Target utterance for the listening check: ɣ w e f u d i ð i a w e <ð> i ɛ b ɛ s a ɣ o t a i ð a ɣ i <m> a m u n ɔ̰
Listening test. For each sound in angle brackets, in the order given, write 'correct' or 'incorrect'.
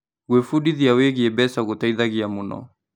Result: incorrect, incorrect

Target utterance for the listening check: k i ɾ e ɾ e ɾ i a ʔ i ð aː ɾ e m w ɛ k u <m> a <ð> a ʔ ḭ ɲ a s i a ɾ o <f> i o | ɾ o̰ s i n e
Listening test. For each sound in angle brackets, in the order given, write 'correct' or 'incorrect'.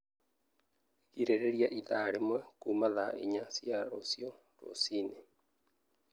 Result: correct, correct, incorrect

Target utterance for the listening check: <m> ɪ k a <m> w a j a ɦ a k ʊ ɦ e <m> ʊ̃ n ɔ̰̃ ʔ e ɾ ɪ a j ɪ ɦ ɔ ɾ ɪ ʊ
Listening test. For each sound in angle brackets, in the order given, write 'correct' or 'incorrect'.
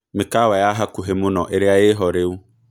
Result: correct, incorrect, correct

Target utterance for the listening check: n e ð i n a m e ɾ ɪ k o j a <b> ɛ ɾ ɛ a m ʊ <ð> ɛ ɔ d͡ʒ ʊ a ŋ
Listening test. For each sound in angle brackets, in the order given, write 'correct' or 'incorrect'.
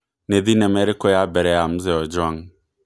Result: correct, incorrect

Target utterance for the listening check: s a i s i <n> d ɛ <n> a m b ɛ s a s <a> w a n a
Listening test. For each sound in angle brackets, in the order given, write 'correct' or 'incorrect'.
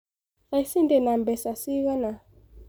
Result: correct, correct, incorrect

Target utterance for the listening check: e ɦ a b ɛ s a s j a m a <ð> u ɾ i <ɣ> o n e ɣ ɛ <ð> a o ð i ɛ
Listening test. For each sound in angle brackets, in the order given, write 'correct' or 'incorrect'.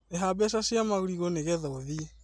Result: incorrect, correct, correct

